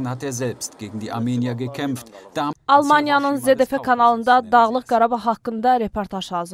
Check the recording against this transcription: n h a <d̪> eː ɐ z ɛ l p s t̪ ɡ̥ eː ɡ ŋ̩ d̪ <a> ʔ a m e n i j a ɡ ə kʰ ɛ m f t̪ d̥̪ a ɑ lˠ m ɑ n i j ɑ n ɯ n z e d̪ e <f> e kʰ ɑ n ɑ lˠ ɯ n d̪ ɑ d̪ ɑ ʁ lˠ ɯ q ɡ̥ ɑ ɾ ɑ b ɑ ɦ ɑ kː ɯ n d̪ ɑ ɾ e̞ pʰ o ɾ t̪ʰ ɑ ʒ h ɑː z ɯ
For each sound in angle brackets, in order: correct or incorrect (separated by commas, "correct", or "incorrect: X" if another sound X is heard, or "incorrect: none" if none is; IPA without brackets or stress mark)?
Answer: incorrect: t̪, incorrect: i, correct